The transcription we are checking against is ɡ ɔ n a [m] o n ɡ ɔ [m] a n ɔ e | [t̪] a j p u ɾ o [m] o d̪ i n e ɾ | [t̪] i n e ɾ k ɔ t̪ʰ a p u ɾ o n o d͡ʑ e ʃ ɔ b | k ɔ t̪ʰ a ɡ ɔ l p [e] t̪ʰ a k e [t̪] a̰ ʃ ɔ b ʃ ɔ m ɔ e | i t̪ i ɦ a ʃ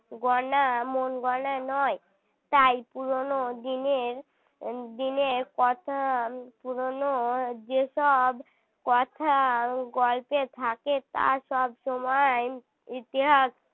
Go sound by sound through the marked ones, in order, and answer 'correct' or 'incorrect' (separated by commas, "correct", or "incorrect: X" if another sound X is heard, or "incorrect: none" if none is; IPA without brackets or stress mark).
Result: correct, incorrect: n, correct, incorrect: n, incorrect: d̪, correct, correct